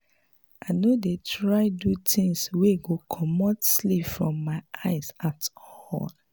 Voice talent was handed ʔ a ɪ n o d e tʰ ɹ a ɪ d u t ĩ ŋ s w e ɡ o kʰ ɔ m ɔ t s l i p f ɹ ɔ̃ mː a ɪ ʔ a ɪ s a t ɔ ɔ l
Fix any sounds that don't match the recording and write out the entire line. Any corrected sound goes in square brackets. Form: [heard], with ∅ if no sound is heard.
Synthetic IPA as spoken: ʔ a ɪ n o d e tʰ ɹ a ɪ d u t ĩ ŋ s w e ɡ o kʰ ɔ m ɔ t s l i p f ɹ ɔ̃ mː a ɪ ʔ a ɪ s a t ɔ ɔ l